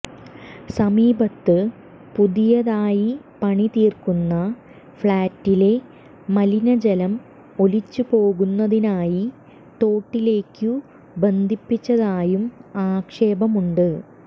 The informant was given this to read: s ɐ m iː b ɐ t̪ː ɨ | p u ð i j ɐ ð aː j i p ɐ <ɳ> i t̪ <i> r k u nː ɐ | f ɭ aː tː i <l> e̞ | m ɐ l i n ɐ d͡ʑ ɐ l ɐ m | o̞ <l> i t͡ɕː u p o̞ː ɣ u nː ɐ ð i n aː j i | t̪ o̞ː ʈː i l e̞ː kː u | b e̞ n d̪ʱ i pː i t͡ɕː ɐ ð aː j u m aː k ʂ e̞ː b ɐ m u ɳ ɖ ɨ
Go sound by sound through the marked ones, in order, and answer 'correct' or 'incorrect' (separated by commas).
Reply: correct, incorrect, correct, correct